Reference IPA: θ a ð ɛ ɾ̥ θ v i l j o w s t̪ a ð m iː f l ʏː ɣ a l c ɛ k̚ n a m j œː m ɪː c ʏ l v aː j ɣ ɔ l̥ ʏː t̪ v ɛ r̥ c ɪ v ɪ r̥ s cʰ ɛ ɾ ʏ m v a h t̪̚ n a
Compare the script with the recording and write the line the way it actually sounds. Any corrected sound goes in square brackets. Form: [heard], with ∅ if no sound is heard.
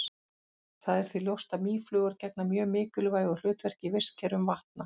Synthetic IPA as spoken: θ a ð ɛ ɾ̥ θ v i l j o w s t̪ a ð m iː f l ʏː ɣ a [ɾ] c ɛ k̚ n a m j œː m ɪː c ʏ l v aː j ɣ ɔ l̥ ʏː t̪ v ɛ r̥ c ɪ v ɪ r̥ s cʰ ɛ ɾ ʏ m v a h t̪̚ n a